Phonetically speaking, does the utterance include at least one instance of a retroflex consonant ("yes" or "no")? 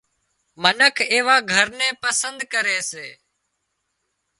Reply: no